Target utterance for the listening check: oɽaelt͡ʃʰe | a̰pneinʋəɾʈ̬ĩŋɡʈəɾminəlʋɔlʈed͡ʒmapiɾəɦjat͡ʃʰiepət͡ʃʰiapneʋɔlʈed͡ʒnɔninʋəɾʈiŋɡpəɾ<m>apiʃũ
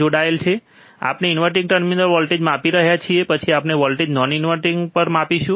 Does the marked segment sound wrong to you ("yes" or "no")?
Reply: no